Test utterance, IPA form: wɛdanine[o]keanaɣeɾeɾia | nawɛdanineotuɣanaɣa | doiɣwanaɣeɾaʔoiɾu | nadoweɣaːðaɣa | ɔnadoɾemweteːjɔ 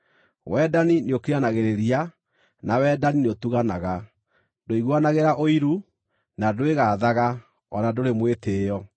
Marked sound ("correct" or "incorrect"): correct